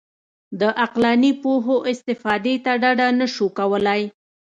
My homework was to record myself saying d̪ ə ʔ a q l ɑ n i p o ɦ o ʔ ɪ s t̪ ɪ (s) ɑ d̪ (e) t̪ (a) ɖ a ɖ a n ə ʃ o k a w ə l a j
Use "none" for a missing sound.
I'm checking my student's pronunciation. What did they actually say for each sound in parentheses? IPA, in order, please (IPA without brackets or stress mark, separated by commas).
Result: f, e, a